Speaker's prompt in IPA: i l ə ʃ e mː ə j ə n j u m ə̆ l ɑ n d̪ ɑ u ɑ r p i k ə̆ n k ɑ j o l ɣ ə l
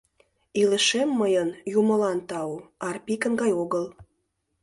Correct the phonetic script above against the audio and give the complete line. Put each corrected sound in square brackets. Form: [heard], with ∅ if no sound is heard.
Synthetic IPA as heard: i l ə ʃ e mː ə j ə n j u m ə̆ l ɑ n [t̪] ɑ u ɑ r p i k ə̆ n [ɡ] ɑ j o [∅] ɣ ə l